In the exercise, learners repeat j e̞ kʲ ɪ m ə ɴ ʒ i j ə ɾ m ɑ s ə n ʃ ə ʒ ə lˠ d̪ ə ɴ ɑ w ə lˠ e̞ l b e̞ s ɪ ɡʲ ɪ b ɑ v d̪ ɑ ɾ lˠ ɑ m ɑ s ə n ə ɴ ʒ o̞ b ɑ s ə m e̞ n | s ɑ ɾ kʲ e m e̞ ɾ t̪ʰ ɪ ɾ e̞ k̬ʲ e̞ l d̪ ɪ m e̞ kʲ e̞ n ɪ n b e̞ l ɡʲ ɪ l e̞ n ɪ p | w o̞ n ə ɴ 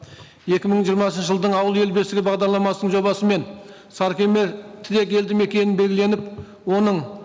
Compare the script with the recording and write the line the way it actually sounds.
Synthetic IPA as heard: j e̞ kʲ ɪ m ə ɴ ʒ i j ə ɾ m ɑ s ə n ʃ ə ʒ ə lˠ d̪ ə ɴ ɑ w ə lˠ e̞ l b e̞ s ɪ ɡʲ ɪ b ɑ ʁ d̪ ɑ ɾ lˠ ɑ m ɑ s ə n ə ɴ ʒ o̞ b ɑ s ə m e̞ n | s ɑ ɾ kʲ e m e̞ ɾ t̪ʰ ɪ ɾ e̞ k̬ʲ e̞ l d̪ ɪ m e̞ kʲ e̞ n ɪ n b e̞ l ɡʲ ɪ l e̞ n ɪ p | w o̞ n ə ɴ